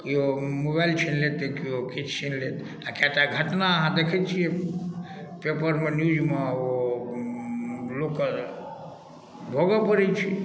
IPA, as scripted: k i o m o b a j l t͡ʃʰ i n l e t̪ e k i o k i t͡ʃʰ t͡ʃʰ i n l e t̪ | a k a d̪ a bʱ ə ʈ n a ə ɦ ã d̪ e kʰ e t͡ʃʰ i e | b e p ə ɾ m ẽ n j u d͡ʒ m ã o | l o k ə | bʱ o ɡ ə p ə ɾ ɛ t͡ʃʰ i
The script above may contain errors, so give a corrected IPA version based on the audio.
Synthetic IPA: k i o m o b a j l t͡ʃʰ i n l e t̪ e k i o k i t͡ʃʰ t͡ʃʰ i n l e t̪ | a k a t̪ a ɡʱ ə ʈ n a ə ɦ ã d̪ e kʰ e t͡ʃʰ i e | p e p ə ɾ m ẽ n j u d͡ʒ m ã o | l o k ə | bʱ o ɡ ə p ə ɾ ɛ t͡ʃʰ i